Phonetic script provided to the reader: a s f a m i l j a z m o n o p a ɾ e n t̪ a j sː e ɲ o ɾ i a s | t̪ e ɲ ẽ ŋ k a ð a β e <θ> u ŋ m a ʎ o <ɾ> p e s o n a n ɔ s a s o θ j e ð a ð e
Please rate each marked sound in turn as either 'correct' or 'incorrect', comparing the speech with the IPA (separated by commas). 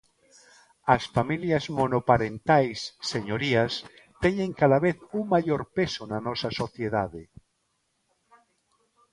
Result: correct, correct